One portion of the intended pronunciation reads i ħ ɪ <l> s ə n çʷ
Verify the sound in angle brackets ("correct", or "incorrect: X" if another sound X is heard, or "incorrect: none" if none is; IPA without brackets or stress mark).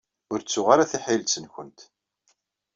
correct